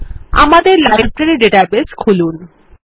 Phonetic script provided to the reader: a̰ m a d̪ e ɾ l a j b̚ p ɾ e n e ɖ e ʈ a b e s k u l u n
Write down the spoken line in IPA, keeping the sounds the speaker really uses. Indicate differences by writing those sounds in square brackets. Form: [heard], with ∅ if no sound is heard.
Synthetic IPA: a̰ m a d̪ e ɾ l a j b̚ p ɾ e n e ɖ e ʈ a b e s [kʰ] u l u n

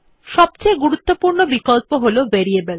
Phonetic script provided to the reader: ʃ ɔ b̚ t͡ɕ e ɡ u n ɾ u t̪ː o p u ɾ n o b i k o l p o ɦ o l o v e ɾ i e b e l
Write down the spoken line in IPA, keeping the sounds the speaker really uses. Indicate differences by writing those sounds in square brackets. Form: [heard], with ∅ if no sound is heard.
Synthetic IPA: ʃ ɔ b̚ t͡ɕ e ɡ u [∅] ɾ u t̪ː o p u ɾ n o b i k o l p o ɦ o l o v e ɾ i e b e l

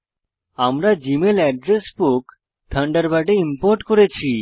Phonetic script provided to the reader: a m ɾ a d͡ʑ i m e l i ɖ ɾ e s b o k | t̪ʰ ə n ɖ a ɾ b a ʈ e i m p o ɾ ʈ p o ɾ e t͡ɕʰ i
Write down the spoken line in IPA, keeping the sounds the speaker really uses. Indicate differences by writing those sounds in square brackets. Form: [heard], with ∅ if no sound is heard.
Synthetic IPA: a m ɾ a d͡ʑ i m e l [ɛ] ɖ ɾ e s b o k | t̪ʰ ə [ɳ] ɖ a ɾ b a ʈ e i m p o ɾ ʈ [k] o ɾ e t͡ɕʰ i

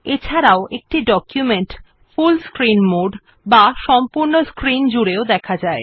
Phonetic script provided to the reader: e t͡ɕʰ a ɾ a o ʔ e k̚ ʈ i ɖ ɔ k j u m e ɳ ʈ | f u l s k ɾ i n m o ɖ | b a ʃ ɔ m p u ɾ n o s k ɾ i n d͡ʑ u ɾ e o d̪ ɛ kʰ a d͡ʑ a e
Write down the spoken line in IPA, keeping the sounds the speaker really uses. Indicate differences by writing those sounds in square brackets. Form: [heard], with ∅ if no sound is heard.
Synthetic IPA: e t͡ɕʰ a ɾ a o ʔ e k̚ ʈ i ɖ ɔ k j u m e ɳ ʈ | f u l s k ɾ i n m o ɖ | b a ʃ ɔ m p u ɾ n o s k ɾ i n d͡ʑ u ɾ e o d̪ ɛ kʰ a d͡ʑ a e

